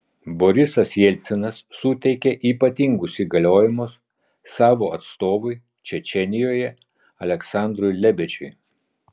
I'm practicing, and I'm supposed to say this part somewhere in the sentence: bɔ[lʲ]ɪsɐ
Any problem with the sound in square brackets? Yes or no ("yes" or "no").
yes